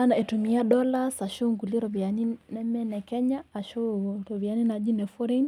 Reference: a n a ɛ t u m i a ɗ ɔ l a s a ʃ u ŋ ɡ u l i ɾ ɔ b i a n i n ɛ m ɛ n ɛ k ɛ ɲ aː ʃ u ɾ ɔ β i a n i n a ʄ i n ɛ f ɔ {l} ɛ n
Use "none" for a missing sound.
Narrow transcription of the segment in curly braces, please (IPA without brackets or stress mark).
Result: ɾ